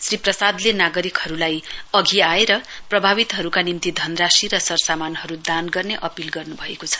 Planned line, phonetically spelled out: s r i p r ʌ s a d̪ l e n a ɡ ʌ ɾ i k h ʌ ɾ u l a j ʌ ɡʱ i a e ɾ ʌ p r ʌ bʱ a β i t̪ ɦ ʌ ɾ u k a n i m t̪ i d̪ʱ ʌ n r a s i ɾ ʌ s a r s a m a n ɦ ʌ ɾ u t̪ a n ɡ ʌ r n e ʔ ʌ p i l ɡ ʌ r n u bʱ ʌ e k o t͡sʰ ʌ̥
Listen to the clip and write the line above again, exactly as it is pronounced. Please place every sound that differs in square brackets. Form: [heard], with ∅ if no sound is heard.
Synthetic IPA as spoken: s r i p r ʌ s a d̪ l e n a ɡ ʌ ɾ i k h ʌ ɾ u l a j ʌ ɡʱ i a e ɾ ʌ p r ʌ bʱ a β i t̪ ɦ ʌ ɾ u k a n i m t̪ i d̪ʱ ʌ n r a s i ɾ ʌ s [ʌ] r s a m a n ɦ ʌ ɾ u [d̪] a n ɡ ʌ r n e ʔ ʌ p i l ɡ ʌ r n u bʱ ʌ e k o t͡sʰ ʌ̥